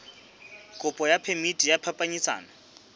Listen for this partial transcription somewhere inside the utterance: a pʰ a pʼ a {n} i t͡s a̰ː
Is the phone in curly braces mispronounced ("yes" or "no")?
yes